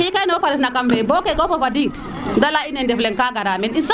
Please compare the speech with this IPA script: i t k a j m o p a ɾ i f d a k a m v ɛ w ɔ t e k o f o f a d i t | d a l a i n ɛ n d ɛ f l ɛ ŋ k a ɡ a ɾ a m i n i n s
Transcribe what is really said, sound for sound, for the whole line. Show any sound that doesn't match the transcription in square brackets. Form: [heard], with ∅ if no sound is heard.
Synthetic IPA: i [∅] k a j [n] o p a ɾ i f [n] a k a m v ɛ [b] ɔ [k] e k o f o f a d i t | d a l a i n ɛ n d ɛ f l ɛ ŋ k a ɡ a ɾ a m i n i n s